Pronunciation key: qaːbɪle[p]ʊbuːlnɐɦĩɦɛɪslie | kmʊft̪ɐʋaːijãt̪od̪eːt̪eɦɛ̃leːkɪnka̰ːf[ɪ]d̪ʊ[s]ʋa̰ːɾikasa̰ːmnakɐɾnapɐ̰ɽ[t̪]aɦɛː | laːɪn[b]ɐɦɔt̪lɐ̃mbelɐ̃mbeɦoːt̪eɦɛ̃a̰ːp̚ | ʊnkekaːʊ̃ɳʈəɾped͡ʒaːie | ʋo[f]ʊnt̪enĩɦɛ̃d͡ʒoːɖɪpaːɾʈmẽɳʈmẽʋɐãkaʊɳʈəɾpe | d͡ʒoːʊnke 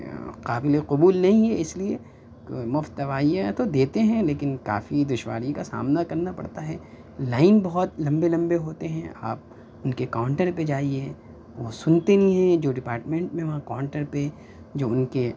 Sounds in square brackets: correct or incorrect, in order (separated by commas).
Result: incorrect, incorrect, incorrect, correct, correct, incorrect